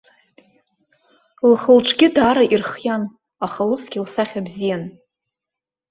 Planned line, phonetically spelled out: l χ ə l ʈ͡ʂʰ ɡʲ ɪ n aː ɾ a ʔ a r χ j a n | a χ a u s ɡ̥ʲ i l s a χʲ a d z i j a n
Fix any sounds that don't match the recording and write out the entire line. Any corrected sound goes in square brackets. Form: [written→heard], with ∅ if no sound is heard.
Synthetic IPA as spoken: l χ ə l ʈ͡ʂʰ ɡʲ ɪ [n→d] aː ɾ a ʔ [a→i] r χ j a n | a χ a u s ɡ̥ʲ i l s a χʲ a [d→b] z i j a n